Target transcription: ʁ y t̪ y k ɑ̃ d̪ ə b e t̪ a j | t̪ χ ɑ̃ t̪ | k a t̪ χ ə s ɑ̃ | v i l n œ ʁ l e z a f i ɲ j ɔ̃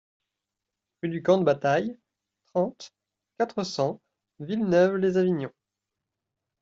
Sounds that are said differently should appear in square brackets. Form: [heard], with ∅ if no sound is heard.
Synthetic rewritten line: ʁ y [d̪] y k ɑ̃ d̪ ə b [a] t̪ a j | t̪ χ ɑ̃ t̪ | k a t̪ χ ə s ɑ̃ | v i l n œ [v] l e z a [v] i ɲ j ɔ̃